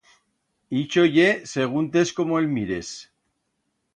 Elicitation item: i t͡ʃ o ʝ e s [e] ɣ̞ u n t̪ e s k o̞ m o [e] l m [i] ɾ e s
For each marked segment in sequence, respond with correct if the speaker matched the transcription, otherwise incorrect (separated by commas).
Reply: correct, correct, correct